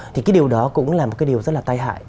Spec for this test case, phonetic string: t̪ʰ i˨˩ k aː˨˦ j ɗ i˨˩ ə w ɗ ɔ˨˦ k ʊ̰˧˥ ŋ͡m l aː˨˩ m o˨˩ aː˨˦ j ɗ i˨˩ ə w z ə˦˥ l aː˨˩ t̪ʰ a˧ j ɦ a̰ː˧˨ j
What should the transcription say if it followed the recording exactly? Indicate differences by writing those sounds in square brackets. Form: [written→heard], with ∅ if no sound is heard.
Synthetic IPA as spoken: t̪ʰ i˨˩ k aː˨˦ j ɗ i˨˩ ə w ɗ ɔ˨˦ k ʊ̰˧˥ ŋ͡m l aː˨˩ m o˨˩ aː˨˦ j ɗ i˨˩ ə w z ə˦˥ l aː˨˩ [t̪ʰ→t̪] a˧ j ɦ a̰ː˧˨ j